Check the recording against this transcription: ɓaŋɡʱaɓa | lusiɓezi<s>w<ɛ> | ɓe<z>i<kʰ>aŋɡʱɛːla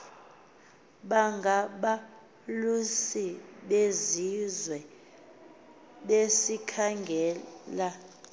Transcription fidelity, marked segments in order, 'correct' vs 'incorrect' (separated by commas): incorrect, correct, incorrect, correct